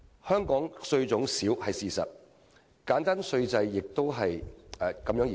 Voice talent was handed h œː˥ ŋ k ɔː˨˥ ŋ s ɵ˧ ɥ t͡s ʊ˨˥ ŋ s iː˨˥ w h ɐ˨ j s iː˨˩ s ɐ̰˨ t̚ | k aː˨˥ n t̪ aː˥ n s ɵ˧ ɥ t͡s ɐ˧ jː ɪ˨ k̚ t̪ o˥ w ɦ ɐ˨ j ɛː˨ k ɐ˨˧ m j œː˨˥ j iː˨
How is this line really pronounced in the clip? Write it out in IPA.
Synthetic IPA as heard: h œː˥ ŋ k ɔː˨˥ ŋ s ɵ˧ ɥ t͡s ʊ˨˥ ŋ s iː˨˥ w h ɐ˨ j s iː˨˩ s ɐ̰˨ t̚ | k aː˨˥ n t̪ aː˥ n s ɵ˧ ɥ t͡s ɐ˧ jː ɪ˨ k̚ t̪ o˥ w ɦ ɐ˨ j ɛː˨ k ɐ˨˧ m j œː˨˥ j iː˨